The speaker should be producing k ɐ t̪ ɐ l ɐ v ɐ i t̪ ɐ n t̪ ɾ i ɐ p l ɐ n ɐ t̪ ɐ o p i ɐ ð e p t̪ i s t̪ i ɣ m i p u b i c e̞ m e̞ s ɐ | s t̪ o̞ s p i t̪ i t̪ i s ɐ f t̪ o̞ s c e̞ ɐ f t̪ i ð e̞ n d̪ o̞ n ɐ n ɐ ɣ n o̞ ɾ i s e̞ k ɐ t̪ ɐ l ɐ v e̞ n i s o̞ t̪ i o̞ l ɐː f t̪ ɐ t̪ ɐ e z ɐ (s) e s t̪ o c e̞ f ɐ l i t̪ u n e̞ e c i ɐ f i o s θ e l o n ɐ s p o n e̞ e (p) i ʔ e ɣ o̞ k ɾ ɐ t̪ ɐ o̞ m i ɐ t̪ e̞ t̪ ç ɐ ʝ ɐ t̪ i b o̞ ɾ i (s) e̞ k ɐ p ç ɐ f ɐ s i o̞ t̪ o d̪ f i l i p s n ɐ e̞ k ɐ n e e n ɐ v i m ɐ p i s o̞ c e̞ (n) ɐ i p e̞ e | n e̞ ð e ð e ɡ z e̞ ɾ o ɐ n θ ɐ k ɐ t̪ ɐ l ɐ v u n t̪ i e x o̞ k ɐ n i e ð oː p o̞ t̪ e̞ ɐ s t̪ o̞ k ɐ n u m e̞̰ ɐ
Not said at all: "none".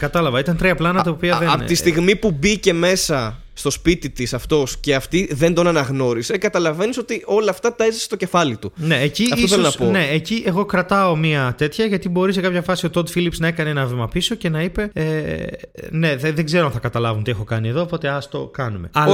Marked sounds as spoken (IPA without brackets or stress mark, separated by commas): s, c, s, n